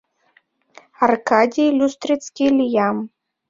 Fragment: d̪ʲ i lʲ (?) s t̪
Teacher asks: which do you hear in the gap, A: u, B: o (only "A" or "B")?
A